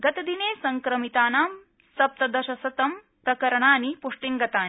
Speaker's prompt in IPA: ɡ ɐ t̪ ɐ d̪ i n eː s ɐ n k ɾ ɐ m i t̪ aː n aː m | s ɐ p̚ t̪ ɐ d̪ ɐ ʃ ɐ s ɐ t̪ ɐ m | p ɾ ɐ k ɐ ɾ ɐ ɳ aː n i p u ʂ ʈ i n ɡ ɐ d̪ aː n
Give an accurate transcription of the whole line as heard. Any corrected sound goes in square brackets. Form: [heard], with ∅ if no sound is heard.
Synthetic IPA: ɡ ɐ t̪ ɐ d̪ i n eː s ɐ [ŋ] k ɾ ɐ m i t̪ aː n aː m | s ɐ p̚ t̪ ɐ d̪ ɐ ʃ ɐ s ɐ t̪ ɐ m | p ɾ ɐ k ɐ ɾ ɐ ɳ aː n i p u ʂ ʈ i [ŋ] ɡ ɐ [t̪] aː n